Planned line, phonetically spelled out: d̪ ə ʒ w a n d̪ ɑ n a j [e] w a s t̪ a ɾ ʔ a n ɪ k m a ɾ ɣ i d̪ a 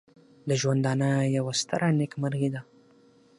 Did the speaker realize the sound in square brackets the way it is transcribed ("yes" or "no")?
no